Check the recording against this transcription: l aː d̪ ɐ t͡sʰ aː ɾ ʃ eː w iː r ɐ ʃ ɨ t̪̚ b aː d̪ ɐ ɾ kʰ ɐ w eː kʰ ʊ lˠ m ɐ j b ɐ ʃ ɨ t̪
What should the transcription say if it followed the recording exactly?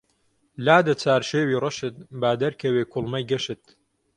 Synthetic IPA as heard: l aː d̪ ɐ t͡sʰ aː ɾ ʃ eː w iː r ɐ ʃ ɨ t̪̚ b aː d̪ ɐ ɾ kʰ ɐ w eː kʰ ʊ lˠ m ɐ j ɡ ɐ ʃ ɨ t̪